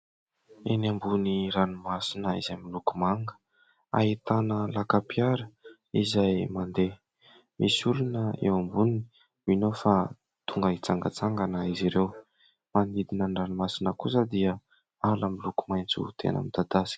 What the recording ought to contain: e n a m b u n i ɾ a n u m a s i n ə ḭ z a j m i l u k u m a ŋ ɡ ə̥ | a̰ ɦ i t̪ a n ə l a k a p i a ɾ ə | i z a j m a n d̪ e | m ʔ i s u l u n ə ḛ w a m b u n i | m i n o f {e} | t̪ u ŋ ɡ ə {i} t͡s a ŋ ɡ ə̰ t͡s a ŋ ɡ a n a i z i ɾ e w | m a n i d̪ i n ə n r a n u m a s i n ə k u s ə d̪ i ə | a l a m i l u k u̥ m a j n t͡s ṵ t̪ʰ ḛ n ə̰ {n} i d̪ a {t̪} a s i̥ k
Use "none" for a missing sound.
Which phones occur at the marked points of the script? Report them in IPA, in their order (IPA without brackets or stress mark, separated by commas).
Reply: a, i, m, d̪